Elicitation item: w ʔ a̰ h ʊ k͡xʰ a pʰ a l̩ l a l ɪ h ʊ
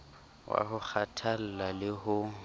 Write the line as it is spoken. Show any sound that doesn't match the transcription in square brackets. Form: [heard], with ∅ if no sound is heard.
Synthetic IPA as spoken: w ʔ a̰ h ʊ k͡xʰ a [tʰ] a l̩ l a l ɪ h ʊ